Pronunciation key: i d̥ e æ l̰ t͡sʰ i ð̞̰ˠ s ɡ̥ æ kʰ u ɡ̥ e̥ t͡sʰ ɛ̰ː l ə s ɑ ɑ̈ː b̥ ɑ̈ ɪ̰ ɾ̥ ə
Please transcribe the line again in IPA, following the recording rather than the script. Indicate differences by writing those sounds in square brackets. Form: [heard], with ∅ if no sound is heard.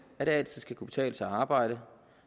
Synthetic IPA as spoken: [æ] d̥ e æ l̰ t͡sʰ i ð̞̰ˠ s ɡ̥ æ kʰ u [b̥] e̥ t͡sʰ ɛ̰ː l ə s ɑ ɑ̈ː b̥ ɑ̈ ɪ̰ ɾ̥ ə